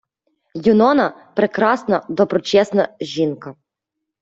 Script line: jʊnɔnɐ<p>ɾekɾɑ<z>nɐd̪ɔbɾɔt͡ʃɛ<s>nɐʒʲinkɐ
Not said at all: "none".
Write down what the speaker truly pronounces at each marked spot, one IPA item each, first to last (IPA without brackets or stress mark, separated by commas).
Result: p, s, s